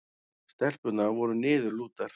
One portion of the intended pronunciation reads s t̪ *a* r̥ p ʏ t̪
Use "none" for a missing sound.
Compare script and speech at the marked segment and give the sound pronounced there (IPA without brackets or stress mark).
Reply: ɛ